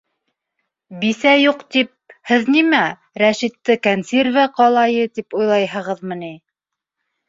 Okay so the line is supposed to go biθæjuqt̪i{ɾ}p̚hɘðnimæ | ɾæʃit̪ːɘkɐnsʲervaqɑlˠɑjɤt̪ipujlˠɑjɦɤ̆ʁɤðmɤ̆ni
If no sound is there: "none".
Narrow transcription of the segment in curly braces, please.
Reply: none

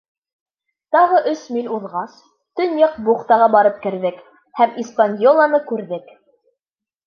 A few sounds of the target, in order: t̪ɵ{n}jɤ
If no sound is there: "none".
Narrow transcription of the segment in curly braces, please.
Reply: n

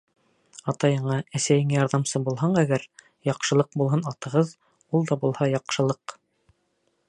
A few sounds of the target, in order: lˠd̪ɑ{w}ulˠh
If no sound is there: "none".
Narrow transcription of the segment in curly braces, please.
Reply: b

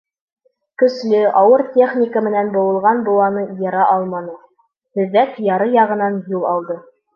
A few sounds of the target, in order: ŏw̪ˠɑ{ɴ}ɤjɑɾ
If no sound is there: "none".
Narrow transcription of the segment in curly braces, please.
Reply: n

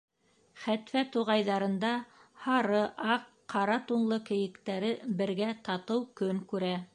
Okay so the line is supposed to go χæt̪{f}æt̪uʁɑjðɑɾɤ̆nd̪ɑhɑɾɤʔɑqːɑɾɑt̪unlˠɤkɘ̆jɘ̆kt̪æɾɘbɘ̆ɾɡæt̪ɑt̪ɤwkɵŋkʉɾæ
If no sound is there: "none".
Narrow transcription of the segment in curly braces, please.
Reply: f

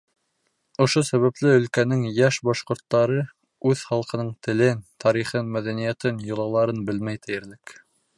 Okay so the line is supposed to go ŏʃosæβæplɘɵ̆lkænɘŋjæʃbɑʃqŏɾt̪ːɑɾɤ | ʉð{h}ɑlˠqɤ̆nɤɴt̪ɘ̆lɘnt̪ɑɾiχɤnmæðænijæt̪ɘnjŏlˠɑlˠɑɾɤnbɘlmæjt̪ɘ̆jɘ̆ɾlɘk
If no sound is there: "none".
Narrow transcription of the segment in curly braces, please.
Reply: χ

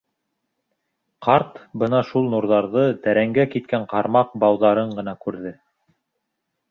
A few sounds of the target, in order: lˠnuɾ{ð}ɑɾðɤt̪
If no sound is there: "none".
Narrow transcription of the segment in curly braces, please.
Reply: ð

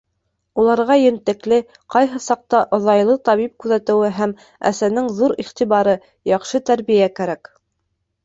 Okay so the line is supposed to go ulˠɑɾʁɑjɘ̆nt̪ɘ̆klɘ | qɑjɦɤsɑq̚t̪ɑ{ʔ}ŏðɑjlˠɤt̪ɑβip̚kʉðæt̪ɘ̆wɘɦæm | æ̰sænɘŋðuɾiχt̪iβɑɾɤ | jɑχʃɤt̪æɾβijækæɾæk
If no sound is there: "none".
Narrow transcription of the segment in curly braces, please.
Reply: ʔ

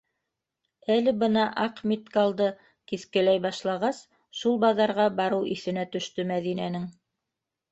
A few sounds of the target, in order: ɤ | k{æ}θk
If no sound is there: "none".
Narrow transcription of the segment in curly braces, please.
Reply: i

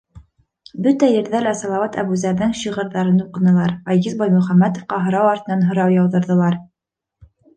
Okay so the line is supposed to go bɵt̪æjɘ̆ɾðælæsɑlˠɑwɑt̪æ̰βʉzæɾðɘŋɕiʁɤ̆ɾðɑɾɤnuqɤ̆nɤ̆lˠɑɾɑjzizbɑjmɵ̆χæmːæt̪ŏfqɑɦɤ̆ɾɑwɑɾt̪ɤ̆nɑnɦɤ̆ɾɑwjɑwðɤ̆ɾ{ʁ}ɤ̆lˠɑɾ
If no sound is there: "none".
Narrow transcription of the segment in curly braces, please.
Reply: ð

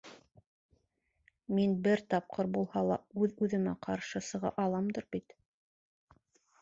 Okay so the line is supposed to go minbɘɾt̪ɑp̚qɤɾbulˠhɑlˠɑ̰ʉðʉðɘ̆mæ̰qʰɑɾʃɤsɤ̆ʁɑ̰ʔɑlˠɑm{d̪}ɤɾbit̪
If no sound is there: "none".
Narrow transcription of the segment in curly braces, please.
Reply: d̪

